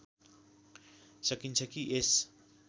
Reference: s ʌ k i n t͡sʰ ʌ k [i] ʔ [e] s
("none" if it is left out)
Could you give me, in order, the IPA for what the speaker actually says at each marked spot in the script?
i, e

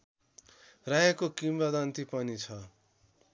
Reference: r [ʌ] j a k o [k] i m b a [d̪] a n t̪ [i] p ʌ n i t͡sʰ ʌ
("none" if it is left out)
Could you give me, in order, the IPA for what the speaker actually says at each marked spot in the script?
a, k, d̪, i

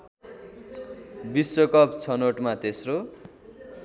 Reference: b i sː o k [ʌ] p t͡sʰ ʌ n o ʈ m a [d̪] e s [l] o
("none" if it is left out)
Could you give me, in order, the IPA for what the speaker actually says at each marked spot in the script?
ʌ, t̪, r

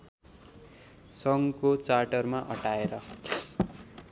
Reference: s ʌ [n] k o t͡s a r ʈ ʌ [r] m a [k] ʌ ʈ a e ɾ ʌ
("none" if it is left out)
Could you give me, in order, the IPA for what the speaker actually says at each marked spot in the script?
ŋ, r, ʔ

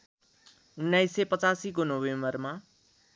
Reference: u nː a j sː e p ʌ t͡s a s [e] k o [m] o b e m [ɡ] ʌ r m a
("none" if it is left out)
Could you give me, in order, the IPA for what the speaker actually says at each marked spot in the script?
i, n, b

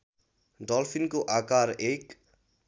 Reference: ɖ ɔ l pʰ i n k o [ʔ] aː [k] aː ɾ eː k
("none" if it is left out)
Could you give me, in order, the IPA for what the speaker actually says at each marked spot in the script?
ʔ, k

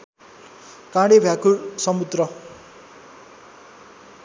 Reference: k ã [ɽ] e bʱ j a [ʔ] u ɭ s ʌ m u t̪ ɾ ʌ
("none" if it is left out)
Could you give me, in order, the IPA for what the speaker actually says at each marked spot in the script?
ɽ, k

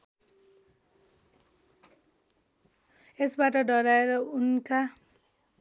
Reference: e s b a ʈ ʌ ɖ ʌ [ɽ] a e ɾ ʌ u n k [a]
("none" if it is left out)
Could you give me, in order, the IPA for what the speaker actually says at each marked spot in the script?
ɾ, a

